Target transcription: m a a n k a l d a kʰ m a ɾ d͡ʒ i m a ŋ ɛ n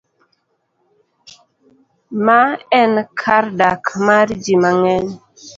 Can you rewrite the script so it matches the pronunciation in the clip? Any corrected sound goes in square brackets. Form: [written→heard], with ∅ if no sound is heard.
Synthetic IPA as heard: m a [a→ɛ] n [k→kʰ] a [l→ɾ] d a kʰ m a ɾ d͡ʒ i m a ŋ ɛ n